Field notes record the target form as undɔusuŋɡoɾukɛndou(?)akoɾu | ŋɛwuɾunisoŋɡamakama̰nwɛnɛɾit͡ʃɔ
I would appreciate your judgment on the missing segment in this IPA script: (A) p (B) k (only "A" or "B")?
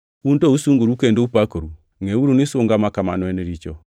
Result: A